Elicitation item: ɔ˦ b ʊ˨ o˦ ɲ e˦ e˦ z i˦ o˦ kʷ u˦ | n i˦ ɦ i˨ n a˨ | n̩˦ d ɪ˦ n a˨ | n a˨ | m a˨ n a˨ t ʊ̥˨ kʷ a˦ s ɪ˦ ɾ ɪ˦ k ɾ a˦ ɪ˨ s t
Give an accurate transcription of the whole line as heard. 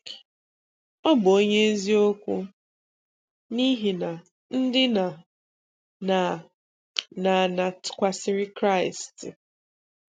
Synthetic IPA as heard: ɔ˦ b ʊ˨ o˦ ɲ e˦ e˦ z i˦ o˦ kʷ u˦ | n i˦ ɦ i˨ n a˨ | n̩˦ d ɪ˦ n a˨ | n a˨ | n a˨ n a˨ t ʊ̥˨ kʷ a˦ s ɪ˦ ɾ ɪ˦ k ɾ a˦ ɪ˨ s t